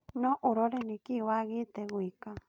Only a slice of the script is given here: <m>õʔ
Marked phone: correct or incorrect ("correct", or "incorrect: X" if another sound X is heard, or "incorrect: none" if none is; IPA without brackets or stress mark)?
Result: incorrect: n